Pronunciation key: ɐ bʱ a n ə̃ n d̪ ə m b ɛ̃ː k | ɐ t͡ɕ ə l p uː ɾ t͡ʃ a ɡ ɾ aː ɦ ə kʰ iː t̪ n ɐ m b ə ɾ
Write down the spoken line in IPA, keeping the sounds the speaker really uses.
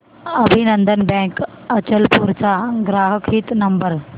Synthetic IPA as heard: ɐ bʱ i n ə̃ n d̪ ə n b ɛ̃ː k | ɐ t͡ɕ ə l p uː ɾ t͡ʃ a ɡ ɾ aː ɦ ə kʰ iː t̪ n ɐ m b ə ɾ